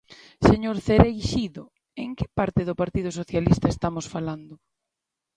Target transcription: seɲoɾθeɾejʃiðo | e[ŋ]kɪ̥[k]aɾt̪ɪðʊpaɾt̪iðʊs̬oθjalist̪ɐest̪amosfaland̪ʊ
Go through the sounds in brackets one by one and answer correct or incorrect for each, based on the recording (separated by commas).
correct, incorrect